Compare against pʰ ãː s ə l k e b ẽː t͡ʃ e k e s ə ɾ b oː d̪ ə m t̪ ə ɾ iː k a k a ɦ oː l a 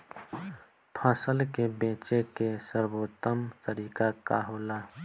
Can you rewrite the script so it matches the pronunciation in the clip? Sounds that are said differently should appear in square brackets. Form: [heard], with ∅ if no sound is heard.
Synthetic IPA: pʰ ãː s ə l k e b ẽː t͡ʃ e k e s ə ɾ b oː [t̪] ə m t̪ ə ɾ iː k a k a ɦ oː l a